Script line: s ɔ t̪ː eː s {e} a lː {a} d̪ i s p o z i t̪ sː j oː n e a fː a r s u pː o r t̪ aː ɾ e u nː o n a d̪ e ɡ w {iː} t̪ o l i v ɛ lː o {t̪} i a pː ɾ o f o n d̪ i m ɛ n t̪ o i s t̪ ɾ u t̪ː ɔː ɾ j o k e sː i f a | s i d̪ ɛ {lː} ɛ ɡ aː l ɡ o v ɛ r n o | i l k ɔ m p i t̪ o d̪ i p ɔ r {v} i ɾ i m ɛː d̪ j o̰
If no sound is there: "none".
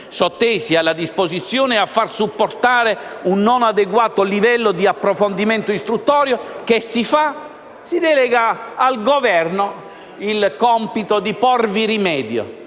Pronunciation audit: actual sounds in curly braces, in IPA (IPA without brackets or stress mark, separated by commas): i, a, aː, d̪, l, v